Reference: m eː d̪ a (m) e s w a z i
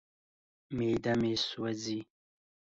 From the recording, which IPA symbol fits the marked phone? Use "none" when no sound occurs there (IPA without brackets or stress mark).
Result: m